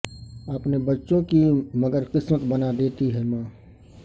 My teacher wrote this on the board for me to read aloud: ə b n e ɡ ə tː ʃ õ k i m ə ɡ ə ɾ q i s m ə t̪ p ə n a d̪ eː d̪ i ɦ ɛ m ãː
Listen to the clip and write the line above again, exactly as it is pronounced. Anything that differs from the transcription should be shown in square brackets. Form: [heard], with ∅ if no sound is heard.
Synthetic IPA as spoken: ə [p] n e [b] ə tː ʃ õ k i m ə ɡ ə ɾ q [ɪ] s m ə t̪ [b] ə n a d̪ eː [t̪] i ɦ ɛ m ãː